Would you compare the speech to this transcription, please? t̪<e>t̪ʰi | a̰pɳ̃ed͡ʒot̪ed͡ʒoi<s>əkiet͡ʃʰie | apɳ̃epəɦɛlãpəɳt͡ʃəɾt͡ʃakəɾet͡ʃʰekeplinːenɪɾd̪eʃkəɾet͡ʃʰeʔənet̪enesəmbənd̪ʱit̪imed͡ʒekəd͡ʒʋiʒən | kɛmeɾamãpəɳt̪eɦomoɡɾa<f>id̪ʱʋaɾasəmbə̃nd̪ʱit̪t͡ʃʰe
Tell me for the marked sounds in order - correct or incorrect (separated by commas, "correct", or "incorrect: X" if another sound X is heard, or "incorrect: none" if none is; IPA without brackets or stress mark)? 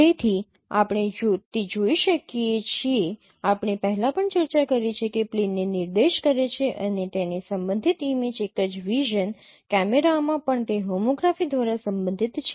correct, incorrect: ʃ, correct